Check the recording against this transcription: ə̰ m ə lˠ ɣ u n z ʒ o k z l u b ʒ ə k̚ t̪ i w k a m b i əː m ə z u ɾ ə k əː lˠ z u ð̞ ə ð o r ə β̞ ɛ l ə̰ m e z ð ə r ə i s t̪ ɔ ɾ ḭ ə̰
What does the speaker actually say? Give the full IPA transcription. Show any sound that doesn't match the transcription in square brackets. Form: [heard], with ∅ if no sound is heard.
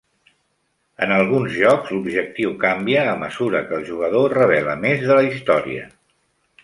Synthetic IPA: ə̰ [n] ə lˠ ɣ u n z ʒ [ɔ] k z l u b ʒ ə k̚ t̪ i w k a m b i əː m ə z u ɾ ə k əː lˠ [ʒ] u [ɣ̞] ə ð o r ə β̞ ɛ l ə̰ m e z ð ə [l] ə i s t̪ ɔ ɾ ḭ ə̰